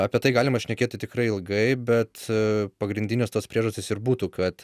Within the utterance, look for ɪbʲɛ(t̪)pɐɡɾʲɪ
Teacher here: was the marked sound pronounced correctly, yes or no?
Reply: yes